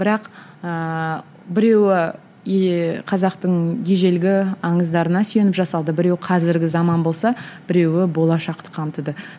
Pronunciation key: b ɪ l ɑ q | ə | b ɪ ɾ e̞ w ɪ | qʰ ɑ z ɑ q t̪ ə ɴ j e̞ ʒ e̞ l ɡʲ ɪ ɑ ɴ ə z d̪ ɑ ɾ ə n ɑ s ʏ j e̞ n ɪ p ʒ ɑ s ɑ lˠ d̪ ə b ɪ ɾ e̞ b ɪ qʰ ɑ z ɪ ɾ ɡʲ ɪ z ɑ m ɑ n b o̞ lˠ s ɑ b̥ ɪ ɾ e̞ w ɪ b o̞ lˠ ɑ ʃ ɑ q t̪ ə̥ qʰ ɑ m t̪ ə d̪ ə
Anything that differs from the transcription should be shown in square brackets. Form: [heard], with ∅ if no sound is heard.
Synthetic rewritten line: b ɪ [ɾ] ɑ q | ə | b ɪ ɾ e̞ w ɪ | qʰ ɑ z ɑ q t̪ ə ɴ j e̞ ʒ e̞ l ɡʲ ɪ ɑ ɴ ə z d̪ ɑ ɾ ə n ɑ s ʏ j e̞ n ɪ p ʒ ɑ s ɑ lˠ d̪ ə b ɪ ɾ e̞ [w] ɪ qʰ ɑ z ɪ ɾ ɡʲ ɪ z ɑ m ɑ n b o̞ lˠ s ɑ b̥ ɪ ɾ e̞ w ɪ b o̞ lˠ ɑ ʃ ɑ q t̪ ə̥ qʰ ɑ m t̪ ə d̪ ə